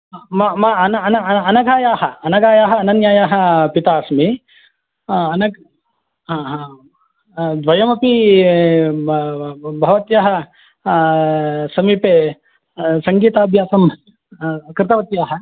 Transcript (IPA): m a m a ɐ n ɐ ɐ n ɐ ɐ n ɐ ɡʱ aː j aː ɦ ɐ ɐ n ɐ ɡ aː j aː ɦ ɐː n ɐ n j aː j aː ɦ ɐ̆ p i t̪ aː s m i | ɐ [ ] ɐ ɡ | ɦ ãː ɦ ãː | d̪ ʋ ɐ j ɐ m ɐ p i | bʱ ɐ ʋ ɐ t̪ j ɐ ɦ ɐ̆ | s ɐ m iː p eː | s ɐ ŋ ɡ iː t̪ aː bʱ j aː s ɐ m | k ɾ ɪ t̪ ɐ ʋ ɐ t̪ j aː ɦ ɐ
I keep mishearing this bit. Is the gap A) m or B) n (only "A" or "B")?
B